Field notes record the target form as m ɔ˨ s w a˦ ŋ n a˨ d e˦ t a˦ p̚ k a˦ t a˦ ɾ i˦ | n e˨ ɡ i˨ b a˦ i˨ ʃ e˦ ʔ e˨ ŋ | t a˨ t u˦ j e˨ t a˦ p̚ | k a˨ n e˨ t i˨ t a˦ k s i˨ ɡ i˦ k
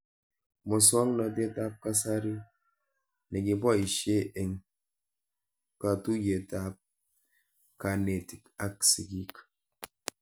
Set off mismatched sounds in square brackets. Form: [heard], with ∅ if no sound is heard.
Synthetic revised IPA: m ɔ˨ s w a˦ ŋ n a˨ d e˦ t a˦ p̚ k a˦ [s] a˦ ɾ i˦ | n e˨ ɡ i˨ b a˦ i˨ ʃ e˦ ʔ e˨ ŋ | [k] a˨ t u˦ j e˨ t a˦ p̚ | k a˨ n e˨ t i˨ [k] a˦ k s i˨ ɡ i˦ k